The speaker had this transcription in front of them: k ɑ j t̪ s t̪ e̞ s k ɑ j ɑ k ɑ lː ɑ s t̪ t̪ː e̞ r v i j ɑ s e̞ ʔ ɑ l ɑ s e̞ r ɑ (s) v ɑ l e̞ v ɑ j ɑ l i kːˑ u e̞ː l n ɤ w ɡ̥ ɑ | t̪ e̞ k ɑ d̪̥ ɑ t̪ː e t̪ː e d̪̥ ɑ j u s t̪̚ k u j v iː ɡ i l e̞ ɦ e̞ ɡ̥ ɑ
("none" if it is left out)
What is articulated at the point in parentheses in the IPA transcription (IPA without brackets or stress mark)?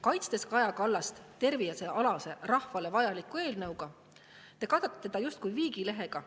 h